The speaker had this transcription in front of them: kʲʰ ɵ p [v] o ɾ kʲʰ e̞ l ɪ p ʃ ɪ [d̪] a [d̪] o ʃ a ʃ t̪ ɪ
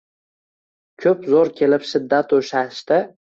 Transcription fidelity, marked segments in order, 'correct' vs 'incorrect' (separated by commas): incorrect, incorrect, incorrect